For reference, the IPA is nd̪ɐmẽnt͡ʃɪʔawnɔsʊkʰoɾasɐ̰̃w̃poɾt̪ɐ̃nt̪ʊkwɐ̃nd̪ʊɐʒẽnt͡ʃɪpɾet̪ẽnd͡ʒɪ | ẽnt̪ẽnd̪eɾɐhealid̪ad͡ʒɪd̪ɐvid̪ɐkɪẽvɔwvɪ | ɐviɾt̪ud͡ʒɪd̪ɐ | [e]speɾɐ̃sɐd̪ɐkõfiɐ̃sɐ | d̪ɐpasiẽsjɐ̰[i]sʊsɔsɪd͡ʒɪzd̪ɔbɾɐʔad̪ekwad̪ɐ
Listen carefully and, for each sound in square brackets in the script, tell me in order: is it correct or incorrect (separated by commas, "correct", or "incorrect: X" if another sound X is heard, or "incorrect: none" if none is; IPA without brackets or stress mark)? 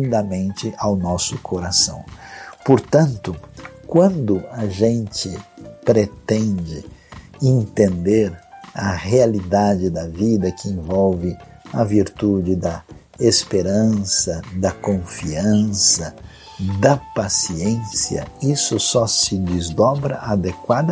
correct, correct